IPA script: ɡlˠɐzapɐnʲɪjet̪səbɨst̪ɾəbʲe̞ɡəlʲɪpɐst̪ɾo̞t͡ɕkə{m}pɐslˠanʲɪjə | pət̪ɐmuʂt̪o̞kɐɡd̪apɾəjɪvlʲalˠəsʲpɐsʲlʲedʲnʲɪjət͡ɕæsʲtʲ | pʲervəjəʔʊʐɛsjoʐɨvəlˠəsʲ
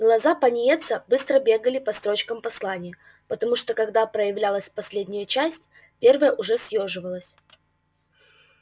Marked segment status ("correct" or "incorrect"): correct